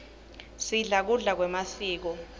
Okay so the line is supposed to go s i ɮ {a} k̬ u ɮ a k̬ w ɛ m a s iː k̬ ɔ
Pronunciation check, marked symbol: correct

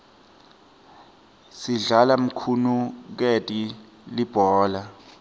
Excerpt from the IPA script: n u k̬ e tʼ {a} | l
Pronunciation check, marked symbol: incorrect: i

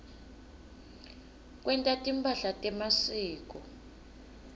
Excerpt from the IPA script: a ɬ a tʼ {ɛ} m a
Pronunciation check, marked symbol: correct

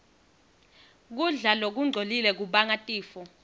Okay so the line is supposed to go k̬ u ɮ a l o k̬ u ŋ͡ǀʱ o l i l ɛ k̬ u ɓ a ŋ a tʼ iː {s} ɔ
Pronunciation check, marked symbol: incorrect: f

